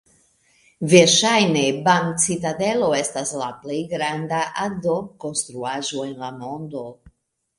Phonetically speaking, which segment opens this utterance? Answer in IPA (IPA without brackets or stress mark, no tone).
v